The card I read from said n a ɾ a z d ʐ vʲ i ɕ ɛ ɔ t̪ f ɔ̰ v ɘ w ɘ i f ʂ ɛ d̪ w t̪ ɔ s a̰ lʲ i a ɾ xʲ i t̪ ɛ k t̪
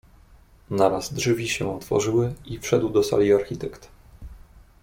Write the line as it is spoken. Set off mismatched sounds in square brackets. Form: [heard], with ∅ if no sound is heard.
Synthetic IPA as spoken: n a ɾ a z d ʐ vʲ i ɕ ɛ ɔ t̪ f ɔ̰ [ʐ] ɘ w ɘ i f ʂ ɛ d̪ w [d̪] ɔ s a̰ lʲ i a ɾ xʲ i t̪ ɛ k t̪